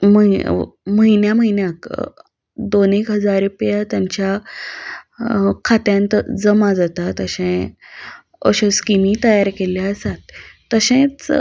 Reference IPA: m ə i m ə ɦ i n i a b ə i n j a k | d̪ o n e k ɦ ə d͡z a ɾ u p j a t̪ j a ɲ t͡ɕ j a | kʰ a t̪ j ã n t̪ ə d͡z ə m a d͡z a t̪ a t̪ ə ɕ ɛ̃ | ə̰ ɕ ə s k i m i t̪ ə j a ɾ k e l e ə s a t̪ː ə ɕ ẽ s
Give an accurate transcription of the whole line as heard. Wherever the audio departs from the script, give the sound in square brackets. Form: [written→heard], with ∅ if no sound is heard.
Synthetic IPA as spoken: m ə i m ə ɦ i n [i→j] a [b→m] ə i n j a k | d̪ o n e k ɦ ə d͡z a ɾ u p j a t̪ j a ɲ t͡ɕ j a | kʰ a t̪ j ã n t̪ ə d͡z ə m a d͡z a t̪ a t̪ ə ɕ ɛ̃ | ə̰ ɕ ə s k i m i t̪ ə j a ɾ k e l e ə s a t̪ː ə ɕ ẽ [s→t͡s]